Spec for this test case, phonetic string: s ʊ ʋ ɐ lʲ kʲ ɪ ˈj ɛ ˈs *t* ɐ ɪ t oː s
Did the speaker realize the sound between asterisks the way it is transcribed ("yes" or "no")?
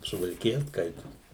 no